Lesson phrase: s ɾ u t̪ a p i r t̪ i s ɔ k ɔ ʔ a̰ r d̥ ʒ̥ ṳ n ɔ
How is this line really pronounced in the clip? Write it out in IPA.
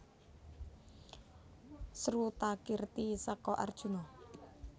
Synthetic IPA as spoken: s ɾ u t̪ a k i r t̪ i s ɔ k ɔ ʔ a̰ r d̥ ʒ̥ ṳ n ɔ